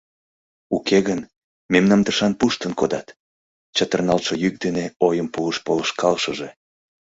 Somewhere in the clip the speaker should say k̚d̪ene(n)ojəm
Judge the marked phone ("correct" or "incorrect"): incorrect